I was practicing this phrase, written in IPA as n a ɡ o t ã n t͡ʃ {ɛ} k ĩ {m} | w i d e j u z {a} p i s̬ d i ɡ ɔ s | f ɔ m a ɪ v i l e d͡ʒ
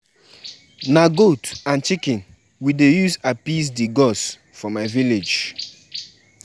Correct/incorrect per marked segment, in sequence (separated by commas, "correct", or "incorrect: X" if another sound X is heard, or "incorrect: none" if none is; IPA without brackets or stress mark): incorrect: i, incorrect: n, correct